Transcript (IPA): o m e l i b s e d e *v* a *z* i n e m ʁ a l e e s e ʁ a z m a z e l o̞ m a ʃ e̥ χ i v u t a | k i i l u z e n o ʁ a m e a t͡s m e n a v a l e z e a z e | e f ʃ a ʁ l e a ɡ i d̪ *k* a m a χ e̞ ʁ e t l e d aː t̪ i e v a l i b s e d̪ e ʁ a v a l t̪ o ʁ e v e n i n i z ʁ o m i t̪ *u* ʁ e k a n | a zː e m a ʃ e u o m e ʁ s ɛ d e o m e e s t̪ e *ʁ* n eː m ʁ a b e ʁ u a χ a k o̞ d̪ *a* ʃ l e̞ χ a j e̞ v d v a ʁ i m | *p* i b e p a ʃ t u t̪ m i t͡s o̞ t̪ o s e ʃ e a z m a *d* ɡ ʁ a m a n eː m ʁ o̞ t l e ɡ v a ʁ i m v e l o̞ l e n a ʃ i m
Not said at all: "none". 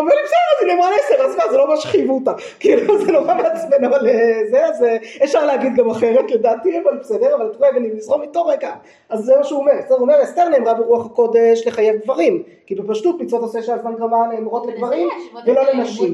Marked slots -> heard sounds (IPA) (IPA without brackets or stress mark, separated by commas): ʁ, z, ɡ, o, ʁ, e, k, n